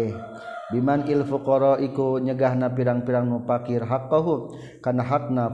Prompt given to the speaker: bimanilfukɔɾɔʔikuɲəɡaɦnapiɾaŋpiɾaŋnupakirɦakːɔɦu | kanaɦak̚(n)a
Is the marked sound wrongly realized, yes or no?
no